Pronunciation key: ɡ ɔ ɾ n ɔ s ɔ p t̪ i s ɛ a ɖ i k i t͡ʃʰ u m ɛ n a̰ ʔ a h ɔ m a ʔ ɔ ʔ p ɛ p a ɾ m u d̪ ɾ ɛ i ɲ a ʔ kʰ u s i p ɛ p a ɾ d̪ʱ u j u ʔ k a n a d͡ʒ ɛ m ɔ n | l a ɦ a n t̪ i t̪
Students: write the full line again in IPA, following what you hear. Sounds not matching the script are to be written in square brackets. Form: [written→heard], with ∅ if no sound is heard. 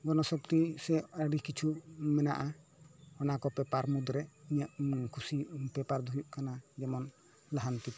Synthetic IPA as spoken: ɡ ɔ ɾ n ɔ s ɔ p t̪ i s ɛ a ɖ i k i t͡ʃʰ u m ɛ n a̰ ʔ a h ɔ [m→n] a [ʔ→k] ɔ [ʔ→∅] p ɛ p a ɾ m u d̪ ɾ ɛ i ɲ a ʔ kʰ u s i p ɛ p a ɾ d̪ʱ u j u ʔ k a n a d͡ʒ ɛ m ɔ n | l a ɦ a n t̪ i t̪